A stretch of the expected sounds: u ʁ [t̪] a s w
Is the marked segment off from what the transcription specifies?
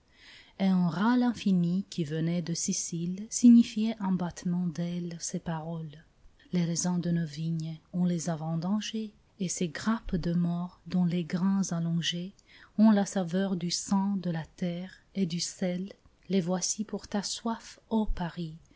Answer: no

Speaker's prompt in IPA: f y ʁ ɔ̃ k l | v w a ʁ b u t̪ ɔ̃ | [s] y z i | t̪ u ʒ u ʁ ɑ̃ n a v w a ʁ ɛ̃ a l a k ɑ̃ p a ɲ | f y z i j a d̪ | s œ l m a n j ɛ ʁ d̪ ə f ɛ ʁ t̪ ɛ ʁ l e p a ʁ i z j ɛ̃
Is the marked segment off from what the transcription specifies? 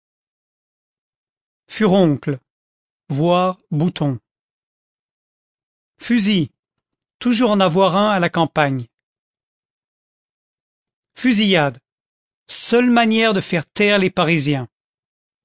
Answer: yes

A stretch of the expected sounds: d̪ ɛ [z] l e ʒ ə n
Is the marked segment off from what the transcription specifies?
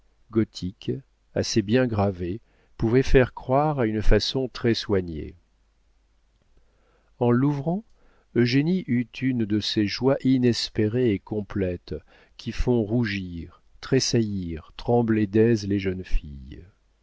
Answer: no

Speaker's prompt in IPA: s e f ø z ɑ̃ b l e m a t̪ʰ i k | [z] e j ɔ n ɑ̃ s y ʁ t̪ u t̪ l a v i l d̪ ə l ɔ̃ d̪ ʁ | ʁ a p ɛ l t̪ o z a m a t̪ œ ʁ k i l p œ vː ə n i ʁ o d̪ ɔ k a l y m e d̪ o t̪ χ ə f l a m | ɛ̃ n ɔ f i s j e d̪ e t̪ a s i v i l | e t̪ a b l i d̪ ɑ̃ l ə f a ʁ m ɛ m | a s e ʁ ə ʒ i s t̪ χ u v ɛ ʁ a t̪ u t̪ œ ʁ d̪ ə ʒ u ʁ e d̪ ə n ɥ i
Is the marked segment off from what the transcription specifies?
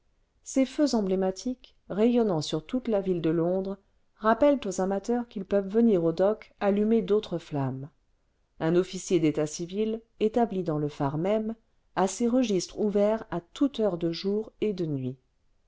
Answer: yes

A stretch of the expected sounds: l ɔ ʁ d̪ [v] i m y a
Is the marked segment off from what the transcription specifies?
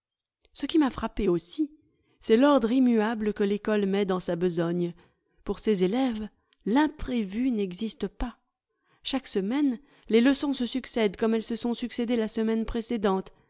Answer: yes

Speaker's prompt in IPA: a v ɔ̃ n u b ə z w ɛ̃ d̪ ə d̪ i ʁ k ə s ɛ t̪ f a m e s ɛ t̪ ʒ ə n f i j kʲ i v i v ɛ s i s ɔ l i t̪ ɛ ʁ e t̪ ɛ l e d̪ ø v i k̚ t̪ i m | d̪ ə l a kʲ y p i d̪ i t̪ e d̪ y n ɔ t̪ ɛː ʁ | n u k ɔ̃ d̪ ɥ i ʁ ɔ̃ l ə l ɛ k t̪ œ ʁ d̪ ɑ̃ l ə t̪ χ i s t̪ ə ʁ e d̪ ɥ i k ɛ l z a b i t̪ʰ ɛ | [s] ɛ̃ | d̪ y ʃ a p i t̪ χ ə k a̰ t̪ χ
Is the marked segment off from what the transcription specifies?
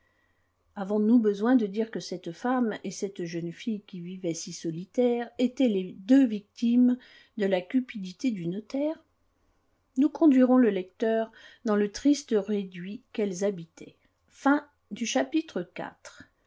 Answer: yes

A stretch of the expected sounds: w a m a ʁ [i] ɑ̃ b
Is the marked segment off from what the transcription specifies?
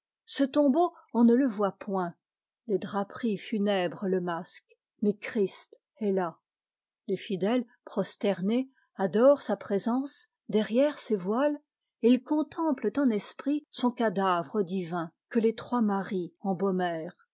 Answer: no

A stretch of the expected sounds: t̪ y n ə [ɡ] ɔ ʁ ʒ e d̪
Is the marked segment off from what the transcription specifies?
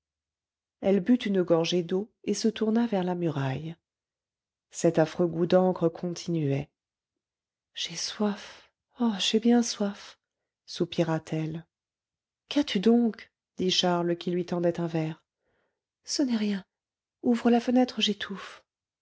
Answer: no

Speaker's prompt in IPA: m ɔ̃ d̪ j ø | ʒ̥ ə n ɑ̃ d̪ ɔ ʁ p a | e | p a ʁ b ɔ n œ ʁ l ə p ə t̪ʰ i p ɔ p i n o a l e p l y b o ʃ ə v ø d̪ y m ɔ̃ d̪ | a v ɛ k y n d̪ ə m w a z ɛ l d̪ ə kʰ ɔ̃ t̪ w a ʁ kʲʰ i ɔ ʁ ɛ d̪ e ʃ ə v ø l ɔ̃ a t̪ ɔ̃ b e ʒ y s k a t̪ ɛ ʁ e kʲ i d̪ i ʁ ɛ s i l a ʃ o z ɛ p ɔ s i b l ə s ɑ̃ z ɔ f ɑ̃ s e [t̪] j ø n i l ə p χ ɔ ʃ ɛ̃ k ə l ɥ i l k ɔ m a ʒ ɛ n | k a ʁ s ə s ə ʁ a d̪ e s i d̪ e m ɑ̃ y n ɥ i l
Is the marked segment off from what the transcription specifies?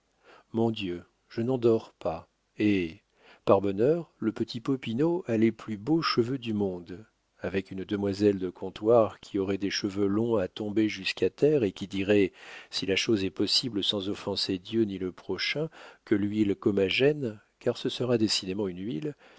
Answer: yes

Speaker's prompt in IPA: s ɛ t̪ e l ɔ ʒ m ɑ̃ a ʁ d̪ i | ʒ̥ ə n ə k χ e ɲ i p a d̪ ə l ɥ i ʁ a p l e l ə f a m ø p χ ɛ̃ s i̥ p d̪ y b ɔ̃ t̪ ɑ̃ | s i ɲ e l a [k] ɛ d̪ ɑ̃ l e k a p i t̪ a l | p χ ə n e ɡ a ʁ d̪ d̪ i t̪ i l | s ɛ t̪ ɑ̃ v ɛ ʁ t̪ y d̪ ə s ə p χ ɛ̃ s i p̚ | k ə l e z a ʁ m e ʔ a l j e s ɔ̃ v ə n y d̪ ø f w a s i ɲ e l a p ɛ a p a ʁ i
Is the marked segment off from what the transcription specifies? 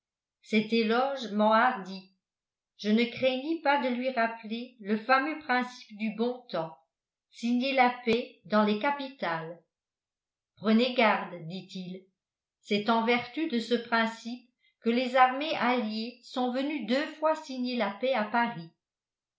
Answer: yes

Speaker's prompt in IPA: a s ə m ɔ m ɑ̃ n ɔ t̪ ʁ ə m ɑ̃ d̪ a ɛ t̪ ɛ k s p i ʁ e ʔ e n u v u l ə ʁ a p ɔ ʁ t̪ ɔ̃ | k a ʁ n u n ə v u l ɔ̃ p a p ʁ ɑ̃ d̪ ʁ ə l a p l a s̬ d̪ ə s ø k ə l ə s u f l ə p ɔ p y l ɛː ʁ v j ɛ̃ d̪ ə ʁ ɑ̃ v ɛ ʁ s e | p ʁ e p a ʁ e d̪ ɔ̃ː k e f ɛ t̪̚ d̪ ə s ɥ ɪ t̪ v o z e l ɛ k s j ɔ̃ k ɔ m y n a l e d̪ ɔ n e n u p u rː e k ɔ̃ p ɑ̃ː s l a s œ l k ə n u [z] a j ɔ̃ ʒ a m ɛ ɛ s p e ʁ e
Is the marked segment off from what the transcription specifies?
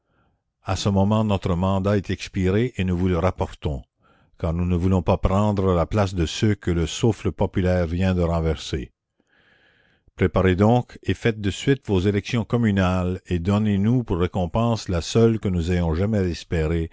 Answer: no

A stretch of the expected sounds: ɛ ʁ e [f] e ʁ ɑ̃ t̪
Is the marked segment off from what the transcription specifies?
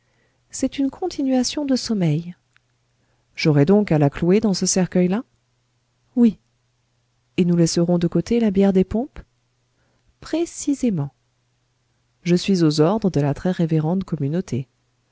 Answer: yes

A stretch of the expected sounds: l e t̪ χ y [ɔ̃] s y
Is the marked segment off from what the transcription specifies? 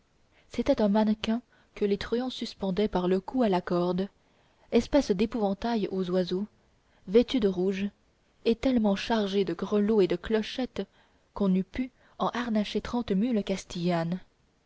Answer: no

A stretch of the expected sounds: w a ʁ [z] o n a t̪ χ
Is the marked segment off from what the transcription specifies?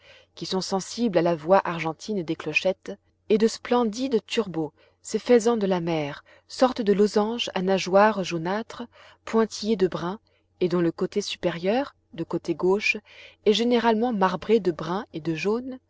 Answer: yes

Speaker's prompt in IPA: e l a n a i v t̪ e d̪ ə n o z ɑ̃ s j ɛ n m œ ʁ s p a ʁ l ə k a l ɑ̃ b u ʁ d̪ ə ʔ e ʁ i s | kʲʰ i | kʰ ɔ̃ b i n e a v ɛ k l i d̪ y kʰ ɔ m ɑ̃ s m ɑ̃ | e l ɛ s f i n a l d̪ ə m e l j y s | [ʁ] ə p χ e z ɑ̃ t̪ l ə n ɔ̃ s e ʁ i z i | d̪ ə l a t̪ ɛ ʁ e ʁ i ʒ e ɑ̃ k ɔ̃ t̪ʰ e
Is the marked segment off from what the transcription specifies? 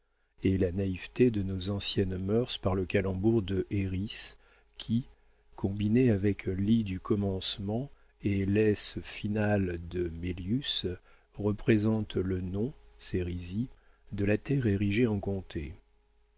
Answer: no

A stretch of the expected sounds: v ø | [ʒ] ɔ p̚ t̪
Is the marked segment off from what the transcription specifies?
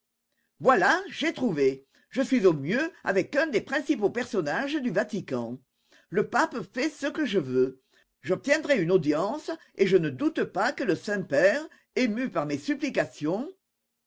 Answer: no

